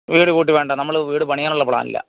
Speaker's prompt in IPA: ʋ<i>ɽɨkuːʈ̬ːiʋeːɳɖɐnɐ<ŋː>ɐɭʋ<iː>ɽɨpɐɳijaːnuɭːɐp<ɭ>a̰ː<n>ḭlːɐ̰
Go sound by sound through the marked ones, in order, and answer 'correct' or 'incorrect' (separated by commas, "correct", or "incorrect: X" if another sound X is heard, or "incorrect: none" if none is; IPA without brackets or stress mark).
incorrect: iː, incorrect: mː, correct, correct, correct